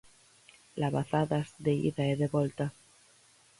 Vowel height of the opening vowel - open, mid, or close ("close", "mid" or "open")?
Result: open